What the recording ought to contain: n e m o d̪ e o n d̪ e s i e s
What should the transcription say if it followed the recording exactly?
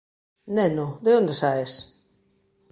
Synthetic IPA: n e n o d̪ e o n d̪ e s a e s